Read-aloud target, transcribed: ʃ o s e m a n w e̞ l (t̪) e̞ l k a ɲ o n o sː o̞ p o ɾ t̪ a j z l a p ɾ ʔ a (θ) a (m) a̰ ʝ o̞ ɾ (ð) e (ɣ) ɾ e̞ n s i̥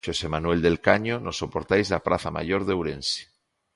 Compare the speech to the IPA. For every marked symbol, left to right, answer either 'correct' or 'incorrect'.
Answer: incorrect, correct, correct, correct, incorrect

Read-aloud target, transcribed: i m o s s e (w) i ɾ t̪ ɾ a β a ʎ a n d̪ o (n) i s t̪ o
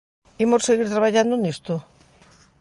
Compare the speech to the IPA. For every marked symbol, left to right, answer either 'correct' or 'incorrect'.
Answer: incorrect, correct

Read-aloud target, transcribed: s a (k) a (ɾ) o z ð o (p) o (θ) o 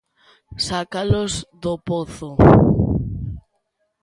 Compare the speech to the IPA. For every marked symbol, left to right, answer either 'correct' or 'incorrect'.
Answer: correct, incorrect, correct, correct

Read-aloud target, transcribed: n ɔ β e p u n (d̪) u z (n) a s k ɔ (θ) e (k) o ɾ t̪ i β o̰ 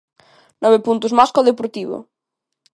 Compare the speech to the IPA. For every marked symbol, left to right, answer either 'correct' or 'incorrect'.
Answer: incorrect, incorrect, incorrect, incorrect

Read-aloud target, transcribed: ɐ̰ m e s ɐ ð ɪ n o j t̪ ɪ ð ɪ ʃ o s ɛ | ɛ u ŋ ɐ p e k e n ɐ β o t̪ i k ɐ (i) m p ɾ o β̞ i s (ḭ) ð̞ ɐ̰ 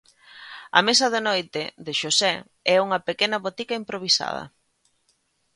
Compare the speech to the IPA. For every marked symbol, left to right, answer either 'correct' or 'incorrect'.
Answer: correct, incorrect

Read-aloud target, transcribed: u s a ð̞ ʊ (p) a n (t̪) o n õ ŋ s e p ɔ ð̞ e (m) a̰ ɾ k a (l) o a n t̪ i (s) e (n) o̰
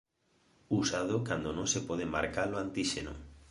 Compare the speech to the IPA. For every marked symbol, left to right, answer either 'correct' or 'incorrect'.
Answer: incorrect, incorrect, correct, correct, incorrect, correct

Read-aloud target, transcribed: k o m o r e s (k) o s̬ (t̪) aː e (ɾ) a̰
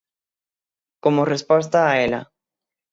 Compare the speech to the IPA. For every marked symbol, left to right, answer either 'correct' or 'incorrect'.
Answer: incorrect, correct, incorrect

